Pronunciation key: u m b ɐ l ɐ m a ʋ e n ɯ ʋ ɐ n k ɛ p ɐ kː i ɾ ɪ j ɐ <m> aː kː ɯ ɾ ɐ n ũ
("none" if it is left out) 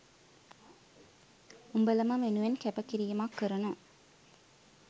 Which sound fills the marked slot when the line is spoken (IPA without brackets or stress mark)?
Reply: m